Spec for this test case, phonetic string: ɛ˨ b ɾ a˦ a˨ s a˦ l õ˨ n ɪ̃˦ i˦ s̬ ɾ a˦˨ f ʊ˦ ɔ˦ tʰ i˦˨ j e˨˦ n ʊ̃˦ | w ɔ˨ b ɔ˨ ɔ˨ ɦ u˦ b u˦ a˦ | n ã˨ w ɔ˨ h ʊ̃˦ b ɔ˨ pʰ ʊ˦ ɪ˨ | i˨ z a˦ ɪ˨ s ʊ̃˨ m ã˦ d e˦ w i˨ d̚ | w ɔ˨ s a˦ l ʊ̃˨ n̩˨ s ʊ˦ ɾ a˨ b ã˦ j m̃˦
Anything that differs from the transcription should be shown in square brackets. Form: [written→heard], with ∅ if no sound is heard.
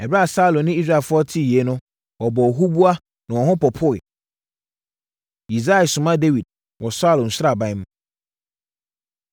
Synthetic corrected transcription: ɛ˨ b ɾ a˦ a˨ s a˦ l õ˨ n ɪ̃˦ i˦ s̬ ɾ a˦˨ f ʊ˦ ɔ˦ tʰ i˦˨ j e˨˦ n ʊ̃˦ | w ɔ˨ b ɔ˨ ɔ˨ ɦ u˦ b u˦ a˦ | n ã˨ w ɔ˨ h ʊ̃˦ [b→p] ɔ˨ pʰ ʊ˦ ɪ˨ | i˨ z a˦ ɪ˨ s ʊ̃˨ m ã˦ d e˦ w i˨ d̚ | w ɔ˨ s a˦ l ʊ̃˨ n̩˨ s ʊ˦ ɾ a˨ b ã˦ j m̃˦